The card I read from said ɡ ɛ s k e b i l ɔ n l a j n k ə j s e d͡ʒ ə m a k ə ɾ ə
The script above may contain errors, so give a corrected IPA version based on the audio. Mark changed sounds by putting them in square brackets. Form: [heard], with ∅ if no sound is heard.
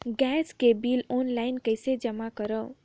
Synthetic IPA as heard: ɡ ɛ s k e b i l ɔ n l a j n k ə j s e d͡ʒ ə m a k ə ɾ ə